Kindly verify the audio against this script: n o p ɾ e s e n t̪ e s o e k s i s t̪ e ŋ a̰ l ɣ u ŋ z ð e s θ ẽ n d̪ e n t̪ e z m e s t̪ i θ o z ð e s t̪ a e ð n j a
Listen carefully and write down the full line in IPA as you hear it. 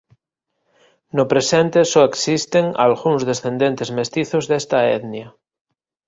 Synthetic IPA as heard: n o p ɾ e s e n t̪ e s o e k s i s t̪ e ŋ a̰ l ɣ u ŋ z ð e s θ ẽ n d̪ e n t̪ e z m e s t̪ i θ o z ð e s t̪ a e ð n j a